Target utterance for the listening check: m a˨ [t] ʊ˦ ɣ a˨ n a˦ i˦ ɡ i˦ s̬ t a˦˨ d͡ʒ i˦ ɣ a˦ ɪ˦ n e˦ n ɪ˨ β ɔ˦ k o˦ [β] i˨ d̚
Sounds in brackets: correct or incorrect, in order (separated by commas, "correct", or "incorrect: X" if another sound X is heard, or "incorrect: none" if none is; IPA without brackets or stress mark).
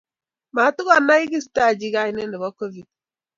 correct, incorrect: v